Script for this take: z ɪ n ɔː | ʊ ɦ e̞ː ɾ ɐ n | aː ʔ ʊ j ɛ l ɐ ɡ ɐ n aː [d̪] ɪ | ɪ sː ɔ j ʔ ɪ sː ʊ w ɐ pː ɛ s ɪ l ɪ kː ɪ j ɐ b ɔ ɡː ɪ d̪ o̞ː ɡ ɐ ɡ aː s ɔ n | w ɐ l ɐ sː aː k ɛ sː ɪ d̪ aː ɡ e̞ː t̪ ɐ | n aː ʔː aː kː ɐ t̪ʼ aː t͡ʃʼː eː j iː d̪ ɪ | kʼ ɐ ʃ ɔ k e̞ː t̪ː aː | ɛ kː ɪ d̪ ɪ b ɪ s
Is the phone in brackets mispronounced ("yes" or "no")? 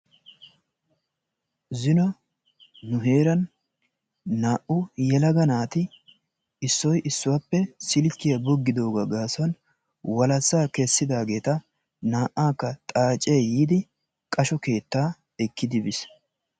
yes